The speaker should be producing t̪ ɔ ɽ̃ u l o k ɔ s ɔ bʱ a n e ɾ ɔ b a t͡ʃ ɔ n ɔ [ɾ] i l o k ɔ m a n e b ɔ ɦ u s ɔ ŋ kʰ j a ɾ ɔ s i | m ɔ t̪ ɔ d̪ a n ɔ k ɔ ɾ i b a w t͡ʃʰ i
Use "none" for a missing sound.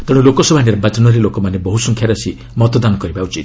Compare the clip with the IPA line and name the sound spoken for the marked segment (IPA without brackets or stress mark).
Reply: ɾ